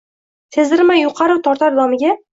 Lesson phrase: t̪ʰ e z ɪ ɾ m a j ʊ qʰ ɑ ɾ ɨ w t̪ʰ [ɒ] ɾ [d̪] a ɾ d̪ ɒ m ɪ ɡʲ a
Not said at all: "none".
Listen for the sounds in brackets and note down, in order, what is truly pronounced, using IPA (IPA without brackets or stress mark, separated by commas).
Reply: ɒ, t̪